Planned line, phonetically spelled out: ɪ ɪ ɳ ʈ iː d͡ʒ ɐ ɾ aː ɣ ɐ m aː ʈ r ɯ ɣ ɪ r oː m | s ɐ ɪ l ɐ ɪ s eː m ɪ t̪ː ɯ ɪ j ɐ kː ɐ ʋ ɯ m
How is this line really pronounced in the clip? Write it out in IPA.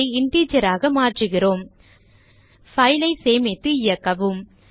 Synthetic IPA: ɪ ɪ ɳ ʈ iː d͡ʒ ɐ ɾ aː ɣ ɐ m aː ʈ r ɯ ɣ ɪ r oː m | f ɐ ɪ l ɐ ɪ s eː m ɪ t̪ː ɯ ɪ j ɐ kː ɐ ʋ ɯ m